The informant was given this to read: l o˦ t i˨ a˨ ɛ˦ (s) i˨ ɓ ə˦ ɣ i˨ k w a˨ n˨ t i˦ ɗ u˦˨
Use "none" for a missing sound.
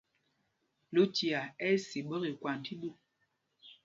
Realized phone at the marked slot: s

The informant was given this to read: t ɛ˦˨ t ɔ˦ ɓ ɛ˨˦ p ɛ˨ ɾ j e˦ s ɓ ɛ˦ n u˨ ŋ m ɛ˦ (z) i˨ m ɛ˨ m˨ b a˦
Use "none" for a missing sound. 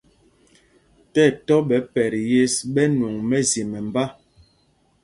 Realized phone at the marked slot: z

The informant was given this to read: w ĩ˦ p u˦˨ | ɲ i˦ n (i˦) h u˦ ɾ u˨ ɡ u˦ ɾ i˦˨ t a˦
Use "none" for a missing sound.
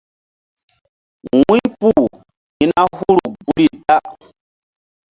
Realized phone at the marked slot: a˦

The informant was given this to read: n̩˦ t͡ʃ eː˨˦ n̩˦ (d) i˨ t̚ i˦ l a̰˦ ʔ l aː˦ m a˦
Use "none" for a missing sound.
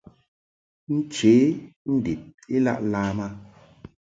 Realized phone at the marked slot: d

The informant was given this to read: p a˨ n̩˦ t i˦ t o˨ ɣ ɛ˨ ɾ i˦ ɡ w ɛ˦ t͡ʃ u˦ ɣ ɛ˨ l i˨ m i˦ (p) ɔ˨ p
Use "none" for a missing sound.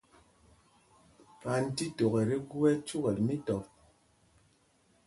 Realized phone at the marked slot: t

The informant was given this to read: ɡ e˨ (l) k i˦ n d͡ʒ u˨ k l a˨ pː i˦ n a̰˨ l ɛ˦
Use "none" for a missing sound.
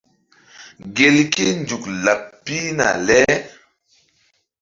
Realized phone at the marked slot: l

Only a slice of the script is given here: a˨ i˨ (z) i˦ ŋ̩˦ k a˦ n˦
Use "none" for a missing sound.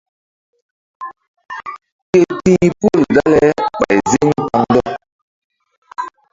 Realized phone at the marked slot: z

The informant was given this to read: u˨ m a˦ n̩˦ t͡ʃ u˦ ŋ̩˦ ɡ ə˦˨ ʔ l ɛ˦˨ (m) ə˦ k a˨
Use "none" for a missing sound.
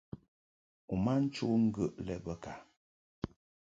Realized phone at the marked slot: b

